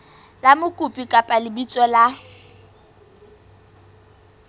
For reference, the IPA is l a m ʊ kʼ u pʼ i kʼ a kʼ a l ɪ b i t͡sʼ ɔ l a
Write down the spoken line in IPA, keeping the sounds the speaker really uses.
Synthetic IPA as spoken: l a m ʊ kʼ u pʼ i kʼ a pʼ a l ɪ b i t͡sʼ ɔ l a